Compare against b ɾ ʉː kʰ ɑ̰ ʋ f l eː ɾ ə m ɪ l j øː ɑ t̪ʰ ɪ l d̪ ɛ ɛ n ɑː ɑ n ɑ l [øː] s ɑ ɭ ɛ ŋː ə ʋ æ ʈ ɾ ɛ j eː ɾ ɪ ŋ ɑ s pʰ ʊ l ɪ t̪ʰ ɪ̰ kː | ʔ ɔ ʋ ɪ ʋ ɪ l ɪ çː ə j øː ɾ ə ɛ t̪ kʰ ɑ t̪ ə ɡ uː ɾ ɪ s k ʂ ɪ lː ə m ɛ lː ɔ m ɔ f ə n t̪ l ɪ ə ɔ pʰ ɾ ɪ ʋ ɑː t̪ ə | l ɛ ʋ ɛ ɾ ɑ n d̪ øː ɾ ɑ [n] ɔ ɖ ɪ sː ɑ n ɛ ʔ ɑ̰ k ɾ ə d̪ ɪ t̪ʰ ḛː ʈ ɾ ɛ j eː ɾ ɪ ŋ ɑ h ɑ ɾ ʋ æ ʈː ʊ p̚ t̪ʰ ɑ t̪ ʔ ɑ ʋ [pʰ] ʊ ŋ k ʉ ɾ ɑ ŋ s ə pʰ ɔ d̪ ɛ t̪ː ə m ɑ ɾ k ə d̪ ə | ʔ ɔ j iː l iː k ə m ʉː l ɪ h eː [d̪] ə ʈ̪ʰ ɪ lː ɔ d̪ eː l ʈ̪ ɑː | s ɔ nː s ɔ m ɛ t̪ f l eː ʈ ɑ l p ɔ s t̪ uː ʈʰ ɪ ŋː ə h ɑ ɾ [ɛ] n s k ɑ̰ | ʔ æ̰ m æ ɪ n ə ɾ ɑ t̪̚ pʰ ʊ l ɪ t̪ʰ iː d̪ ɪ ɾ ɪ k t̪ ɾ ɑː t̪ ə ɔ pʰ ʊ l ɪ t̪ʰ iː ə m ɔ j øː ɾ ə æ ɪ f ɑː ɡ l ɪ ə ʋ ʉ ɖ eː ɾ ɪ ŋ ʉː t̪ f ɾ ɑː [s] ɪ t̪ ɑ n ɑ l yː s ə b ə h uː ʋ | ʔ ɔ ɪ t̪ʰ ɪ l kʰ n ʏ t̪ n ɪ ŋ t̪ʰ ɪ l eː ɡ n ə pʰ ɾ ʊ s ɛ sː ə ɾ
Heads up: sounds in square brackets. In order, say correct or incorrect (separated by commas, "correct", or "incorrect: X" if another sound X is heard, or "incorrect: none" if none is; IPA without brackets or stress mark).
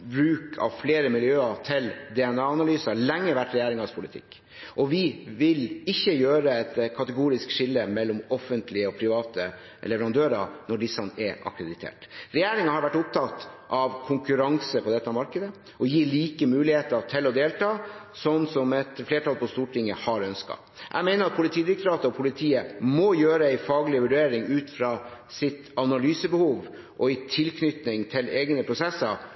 incorrect: yː, correct, incorrect: kʰ, incorrect: t̪, incorrect: œ, correct